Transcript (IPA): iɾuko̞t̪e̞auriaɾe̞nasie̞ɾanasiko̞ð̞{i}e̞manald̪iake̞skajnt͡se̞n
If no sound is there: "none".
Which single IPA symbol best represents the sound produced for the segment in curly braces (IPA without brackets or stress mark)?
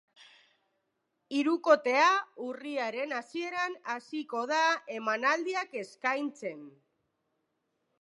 a